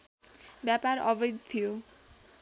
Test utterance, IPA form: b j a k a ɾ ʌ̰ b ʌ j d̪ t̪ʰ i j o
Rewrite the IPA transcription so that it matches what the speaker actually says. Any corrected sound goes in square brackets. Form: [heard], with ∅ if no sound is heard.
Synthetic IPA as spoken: b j a [p] a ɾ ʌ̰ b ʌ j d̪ t̪ʰ i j o